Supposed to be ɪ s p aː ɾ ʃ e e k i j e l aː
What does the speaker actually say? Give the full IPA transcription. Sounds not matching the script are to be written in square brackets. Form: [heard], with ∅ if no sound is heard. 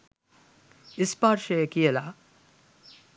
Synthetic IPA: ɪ s p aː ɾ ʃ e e k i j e l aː